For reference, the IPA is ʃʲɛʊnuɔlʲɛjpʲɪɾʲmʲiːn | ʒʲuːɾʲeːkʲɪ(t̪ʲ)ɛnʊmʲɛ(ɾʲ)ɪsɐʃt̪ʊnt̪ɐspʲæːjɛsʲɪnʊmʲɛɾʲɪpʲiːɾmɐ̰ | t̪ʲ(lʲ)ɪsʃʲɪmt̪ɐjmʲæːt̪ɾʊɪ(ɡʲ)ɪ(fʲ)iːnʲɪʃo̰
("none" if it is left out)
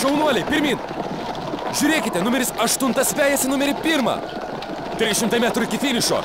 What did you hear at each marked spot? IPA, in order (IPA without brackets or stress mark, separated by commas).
t̪ʲ, ɾʲ, ɾʲ, kʲ, fʲ